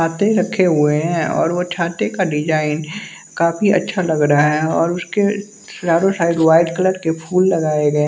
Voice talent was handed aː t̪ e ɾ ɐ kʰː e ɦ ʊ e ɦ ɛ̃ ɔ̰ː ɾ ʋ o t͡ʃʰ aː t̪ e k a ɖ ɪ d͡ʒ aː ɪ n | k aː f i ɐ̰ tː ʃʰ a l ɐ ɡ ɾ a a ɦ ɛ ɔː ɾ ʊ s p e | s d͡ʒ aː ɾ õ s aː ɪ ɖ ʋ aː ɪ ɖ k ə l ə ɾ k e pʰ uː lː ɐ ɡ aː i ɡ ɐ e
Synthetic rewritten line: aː t̪ e ɾ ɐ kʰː e ɦ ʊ e ɦ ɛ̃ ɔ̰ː ɾ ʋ o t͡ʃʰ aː t̪ e k a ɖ ɪ d͡ʒ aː ɪ n | k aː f i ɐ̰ tː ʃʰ a l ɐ ɡ ɾ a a ɦ ɛ ɔː ɾ ʊ s k e | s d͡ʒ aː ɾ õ s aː ɪ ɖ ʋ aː ɪ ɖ k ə l ə ɾ k e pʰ uː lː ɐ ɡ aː e ɡ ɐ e